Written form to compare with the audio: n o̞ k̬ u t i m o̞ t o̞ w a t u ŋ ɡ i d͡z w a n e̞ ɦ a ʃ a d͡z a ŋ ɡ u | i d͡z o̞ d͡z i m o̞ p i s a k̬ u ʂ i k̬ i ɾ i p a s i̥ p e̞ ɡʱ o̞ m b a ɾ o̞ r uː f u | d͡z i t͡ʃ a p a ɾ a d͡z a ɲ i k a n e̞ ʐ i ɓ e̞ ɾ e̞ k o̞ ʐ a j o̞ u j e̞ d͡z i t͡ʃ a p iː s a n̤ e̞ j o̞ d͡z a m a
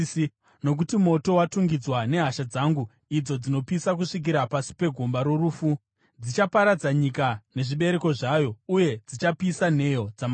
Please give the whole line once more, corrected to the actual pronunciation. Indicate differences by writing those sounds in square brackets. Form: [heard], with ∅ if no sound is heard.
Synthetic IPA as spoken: n o̞ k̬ u t i m o̞ t o̞ w a t u ŋ ɡ i d͡z w a n e̞ ɦ a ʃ a d͡z a ŋ ɡ u | i d͡z o̞ d͡z i [n] o̞ p i s a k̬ u ʂ i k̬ i ɾ [a] p a s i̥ p e̞ ɡʱ o̞ m b a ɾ o̞ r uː f u | d͡z i t͡ʃ a p a ɾ a d͡z a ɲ i k a n e̞ ʐ i ɓ e̞ ɾ e̞ k o̞ ʐ a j o̞ u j e̞ d͡z i t͡ʃ a p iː s a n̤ e̞ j o̞ d͡z a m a